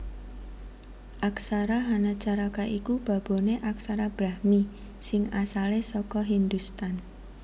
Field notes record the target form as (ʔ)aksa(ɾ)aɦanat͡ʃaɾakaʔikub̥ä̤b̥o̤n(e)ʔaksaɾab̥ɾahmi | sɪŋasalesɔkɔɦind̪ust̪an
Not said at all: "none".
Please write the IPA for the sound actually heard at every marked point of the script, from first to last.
ʔ, ɾ, e

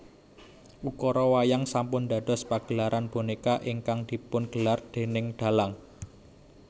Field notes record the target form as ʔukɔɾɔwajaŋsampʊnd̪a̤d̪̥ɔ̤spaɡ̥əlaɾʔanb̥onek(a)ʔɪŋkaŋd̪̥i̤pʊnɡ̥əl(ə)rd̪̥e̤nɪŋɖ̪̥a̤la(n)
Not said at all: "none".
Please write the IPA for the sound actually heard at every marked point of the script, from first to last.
a, a, ŋ

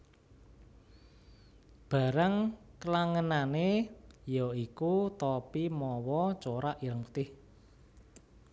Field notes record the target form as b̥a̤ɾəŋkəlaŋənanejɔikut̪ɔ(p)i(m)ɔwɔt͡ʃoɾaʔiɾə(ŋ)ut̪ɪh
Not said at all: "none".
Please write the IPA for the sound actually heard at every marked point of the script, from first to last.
p, m, ŋ

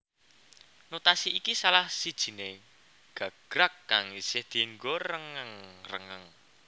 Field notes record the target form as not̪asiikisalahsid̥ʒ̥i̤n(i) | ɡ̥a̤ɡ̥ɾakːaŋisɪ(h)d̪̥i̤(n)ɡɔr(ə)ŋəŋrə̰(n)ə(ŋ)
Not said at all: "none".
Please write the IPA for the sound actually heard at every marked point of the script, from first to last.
e, h, ŋ, ə, ŋ, ŋ

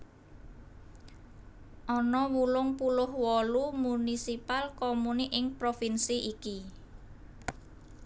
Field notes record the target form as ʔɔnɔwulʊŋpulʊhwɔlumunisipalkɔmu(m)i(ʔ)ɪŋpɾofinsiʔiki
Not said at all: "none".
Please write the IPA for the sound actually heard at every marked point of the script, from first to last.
n, ʔ

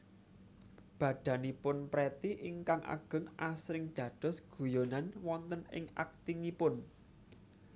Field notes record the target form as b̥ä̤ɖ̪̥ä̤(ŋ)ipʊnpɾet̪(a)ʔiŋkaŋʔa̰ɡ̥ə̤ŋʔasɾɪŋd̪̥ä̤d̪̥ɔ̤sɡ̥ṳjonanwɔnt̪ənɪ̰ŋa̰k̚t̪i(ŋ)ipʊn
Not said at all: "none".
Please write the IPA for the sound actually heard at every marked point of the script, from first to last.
n, i, ŋ

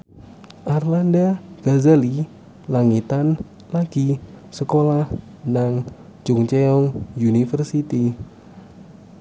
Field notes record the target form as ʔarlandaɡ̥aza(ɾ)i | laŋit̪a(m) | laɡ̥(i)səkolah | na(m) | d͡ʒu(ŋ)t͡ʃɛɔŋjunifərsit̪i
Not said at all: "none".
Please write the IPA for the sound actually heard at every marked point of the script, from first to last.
l, n, i, ŋ, ŋ

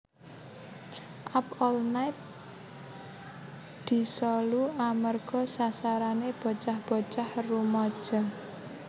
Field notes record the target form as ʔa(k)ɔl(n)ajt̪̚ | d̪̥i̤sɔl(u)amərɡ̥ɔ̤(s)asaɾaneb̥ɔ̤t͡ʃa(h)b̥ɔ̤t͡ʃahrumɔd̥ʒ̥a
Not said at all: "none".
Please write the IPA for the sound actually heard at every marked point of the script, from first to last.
p, n, u, s, h

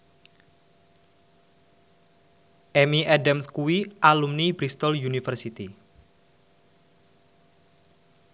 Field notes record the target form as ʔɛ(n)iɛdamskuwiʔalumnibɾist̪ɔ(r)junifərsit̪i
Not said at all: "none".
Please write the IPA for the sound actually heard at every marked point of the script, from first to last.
m, l

